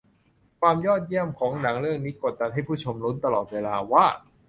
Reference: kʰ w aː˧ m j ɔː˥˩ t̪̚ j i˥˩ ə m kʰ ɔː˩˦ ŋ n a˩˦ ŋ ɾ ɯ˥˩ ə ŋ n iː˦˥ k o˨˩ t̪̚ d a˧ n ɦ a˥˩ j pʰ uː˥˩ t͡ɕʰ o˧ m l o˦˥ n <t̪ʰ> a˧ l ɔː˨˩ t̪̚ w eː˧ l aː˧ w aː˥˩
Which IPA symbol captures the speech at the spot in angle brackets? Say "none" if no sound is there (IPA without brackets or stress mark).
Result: t̪